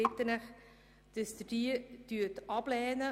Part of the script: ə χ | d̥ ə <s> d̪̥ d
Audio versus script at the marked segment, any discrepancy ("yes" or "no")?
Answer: no